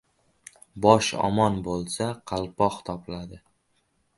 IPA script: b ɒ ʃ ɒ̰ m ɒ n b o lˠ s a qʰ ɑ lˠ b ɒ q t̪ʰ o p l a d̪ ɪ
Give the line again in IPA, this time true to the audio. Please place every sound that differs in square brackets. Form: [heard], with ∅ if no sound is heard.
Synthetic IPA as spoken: b ɒ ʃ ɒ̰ m ɒ n b o lˠ s a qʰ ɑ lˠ [p] ɒ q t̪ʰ [ɒ] p l a d̪ ɪ